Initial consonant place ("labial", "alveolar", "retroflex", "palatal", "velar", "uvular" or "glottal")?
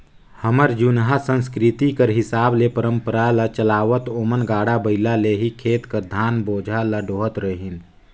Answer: glottal